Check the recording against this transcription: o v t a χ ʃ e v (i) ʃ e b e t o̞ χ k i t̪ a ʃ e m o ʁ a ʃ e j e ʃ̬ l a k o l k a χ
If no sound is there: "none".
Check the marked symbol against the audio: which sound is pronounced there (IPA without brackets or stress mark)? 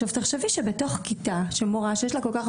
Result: i